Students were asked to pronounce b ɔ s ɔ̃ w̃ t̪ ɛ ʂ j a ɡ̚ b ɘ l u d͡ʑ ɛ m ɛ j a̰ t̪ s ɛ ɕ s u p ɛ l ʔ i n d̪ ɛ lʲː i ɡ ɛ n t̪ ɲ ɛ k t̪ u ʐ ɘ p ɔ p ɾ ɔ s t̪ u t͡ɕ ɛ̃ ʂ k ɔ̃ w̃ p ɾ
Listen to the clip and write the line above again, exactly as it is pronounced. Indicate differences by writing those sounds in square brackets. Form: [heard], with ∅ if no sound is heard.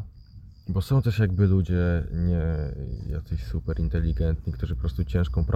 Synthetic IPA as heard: b ɔ s ɔ̃ w̃ t̪ ɛ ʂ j a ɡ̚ b ɘ l u d͡ʑ ɛ [ɲ] ɛ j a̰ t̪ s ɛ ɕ s u p ɛ [ɾ] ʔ i n [t̪] ɛ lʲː i ɡ ɛ n t̪ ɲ [i] k t̪ u ʐ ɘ p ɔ p ɾ ɔ s t̪ u t͡ɕ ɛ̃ ʂ k ɔ̃ w̃ p ɾ